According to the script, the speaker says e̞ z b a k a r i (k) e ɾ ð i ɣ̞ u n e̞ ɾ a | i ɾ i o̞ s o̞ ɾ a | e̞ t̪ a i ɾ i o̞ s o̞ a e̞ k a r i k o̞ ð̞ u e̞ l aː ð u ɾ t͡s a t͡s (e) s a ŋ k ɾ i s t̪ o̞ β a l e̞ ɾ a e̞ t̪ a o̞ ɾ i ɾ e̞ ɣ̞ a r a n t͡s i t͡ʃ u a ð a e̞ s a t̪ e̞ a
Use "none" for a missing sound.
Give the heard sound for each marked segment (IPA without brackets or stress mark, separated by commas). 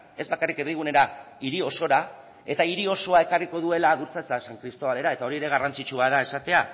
k, a